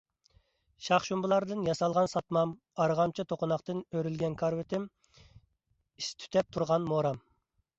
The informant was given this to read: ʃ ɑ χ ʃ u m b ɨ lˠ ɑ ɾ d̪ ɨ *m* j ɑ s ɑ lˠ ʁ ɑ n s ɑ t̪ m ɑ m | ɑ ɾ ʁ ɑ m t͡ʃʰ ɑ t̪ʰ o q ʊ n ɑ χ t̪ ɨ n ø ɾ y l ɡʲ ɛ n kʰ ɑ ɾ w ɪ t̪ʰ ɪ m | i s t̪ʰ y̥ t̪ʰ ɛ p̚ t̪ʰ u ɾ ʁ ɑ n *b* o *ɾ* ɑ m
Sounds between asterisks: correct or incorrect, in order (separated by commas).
incorrect, incorrect, correct